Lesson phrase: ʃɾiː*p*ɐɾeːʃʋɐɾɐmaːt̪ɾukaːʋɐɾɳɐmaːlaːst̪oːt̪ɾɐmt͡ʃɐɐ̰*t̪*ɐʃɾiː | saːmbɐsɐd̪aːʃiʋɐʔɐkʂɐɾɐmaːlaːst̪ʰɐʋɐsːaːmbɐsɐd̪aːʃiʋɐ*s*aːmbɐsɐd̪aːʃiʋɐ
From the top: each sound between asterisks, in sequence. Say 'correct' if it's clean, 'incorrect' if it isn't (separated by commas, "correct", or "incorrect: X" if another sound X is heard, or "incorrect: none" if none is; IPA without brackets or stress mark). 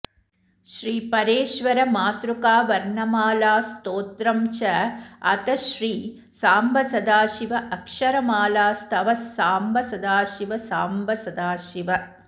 correct, correct, correct